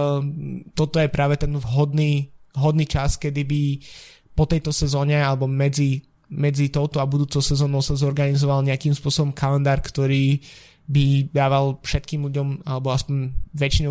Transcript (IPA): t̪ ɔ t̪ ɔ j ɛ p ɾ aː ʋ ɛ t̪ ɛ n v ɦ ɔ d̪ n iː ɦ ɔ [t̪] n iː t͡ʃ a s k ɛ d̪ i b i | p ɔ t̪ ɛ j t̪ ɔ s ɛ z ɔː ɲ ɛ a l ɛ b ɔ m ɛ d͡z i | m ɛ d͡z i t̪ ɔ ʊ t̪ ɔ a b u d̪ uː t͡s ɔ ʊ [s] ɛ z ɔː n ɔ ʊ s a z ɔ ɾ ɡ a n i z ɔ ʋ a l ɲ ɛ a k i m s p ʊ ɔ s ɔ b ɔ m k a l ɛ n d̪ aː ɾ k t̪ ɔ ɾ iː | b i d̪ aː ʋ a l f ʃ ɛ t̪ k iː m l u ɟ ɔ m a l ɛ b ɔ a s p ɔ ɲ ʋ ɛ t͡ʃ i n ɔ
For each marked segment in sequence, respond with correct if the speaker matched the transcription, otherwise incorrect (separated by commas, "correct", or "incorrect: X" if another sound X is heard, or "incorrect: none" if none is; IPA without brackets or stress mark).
incorrect: d̪, correct